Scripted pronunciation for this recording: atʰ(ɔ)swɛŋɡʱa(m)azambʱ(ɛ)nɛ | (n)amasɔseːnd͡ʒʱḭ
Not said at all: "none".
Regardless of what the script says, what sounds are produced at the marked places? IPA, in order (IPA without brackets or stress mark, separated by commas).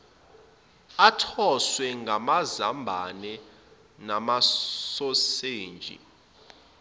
ɔ, m, a, n